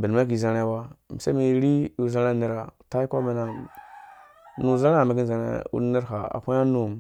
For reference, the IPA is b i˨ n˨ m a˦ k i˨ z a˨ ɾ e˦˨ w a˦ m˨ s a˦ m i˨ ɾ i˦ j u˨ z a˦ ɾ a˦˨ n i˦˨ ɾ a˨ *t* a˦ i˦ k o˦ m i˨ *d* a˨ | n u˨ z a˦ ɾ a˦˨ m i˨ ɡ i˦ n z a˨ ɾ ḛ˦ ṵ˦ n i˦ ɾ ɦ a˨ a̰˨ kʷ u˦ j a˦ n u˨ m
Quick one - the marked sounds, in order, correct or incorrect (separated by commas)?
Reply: correct, incorrect